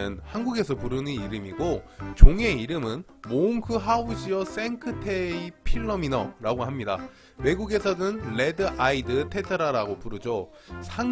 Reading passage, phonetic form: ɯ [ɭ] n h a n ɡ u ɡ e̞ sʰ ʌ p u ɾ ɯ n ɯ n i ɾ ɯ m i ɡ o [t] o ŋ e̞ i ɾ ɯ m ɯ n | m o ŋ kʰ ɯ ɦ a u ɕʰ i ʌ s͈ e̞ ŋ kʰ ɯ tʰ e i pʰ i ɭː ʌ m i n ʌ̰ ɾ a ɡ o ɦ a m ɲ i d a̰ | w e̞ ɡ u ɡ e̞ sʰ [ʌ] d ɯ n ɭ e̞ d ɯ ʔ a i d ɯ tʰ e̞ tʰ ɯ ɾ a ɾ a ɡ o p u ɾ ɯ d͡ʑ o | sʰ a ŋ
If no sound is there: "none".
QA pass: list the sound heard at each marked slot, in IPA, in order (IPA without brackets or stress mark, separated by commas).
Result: none, t͡ɕ, ʌ